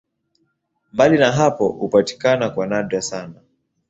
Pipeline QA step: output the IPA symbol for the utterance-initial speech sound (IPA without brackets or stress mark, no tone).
m